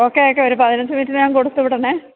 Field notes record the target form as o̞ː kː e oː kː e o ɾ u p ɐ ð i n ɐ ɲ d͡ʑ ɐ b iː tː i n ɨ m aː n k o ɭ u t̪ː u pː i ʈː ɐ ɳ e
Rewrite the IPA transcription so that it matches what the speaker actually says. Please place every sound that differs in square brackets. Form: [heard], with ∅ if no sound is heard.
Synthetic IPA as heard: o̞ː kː e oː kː e o ɾ u p ɐ ð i n ɐ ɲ d͡ʑ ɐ [m] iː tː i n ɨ [ɲ] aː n k o [ɽ] u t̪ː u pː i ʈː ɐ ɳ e